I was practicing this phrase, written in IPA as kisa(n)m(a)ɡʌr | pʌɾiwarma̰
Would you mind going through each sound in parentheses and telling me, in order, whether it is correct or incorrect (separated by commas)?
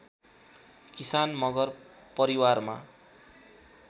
correct, incorrect